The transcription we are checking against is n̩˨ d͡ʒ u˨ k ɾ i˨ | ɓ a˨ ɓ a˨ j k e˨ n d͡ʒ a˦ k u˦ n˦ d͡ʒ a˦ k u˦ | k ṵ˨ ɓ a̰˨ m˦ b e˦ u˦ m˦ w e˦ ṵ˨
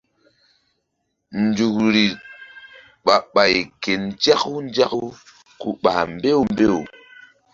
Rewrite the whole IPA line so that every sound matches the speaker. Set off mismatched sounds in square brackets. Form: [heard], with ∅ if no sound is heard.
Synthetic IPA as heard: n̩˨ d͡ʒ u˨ k ɾ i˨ | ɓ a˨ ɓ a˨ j k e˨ n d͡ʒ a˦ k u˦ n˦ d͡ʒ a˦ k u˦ | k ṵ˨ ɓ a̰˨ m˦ b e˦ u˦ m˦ [b] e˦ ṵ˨